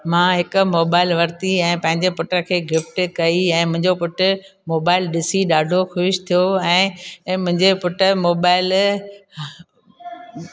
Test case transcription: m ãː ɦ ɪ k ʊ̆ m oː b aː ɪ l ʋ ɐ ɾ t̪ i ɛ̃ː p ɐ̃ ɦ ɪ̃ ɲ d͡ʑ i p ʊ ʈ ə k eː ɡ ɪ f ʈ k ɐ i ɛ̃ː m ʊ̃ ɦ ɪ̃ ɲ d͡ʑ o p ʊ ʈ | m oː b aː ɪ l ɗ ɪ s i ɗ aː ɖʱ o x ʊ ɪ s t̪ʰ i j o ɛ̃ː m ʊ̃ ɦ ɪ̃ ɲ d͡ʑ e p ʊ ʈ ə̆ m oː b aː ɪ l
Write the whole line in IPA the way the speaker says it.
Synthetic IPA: m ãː ɦ ɪ k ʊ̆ m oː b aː ɪ l ʋ ɐ ɾ t̪ i ɛ̃ː p ɐ̃ ɦ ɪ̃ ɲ d͡ʑ e p ʊ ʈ ə kʰ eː ɡ ɪ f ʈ k ɐ i ɛ̃ː m ʊ̃ ɦ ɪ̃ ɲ d͡ʑ o p ʊ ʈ | m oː b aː ɪ l ɗ ɪ s i ɗ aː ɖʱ o x ʊ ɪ ʃ t̪ʰ i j o ɛ̃ː m ʊ̃ ɦ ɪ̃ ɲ d͡ʑ e p ʊ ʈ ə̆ m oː b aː ɪ l